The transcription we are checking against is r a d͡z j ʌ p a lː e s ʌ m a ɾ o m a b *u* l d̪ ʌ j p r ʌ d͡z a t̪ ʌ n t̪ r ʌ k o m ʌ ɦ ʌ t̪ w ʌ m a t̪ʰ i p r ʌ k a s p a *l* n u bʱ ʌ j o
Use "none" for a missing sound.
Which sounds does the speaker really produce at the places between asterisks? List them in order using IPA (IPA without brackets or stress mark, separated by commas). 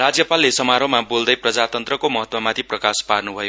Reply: o, r